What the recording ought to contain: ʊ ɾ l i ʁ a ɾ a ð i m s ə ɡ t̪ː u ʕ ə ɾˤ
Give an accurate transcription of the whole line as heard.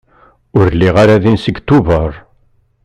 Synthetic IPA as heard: ʊ ɾ l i ʁ a ɾ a ð i n s ə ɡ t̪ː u v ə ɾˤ